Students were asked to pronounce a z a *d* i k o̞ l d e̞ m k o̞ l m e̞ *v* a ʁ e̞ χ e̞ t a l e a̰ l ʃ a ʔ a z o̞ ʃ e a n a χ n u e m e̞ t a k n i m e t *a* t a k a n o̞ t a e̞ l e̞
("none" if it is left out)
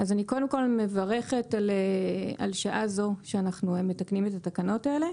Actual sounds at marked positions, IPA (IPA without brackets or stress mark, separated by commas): n, v, a